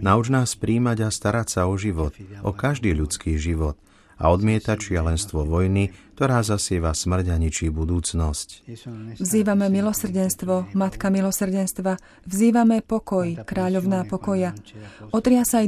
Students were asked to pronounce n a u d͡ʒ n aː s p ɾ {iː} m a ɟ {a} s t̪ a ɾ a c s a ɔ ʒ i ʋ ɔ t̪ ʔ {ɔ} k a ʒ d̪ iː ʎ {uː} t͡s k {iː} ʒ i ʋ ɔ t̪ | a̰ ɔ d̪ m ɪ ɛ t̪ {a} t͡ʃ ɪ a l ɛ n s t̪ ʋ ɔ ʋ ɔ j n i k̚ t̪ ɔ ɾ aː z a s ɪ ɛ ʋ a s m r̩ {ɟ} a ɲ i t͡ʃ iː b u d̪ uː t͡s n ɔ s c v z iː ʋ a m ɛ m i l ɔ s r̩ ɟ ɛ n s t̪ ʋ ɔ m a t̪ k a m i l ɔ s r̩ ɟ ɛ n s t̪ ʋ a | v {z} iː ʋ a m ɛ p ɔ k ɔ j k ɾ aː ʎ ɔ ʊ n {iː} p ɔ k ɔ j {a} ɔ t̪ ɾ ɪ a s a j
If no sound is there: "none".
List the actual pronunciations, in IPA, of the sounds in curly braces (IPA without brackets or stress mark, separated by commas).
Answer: iː, a, ɔ, u, iː, a, ɟ, z, aː, a